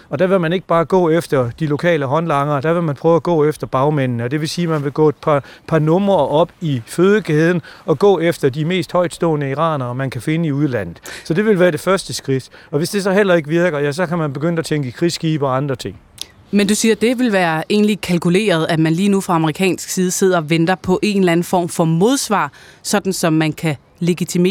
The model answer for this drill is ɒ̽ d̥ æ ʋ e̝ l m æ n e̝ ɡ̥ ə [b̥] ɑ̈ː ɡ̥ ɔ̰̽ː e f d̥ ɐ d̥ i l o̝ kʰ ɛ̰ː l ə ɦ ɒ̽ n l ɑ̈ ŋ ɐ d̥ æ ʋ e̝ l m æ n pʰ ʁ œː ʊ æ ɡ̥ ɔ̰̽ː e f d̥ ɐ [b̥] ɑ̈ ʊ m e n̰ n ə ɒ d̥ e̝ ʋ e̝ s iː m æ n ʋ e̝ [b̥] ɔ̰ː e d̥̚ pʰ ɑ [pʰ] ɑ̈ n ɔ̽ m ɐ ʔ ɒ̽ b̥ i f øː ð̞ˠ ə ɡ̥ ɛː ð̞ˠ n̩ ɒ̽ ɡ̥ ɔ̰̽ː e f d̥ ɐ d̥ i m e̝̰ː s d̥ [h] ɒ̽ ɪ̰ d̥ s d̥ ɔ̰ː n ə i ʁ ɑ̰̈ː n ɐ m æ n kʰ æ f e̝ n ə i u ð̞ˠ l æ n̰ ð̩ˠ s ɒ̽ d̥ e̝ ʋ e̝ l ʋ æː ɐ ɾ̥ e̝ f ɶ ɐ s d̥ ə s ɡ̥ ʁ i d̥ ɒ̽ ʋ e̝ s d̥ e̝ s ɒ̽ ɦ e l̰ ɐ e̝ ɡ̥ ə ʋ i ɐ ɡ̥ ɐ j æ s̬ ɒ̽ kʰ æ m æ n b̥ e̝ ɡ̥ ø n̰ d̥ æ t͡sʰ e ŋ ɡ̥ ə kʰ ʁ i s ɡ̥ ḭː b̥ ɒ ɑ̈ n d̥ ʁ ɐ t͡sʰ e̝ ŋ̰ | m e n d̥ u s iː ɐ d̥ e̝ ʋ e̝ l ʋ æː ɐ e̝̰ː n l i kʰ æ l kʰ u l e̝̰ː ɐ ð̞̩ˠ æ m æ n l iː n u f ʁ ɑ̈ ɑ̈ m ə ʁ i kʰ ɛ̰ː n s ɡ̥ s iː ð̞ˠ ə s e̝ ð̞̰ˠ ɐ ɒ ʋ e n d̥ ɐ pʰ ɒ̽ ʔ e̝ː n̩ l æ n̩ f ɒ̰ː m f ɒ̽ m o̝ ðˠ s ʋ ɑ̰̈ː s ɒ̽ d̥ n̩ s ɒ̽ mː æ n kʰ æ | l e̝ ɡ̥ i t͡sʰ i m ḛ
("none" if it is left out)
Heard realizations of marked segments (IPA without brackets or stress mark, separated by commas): b̥, b̥, ɡ̥, pʰ, h